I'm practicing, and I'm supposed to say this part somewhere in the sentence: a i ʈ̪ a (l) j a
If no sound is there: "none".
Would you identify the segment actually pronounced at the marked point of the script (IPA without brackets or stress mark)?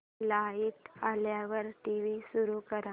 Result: l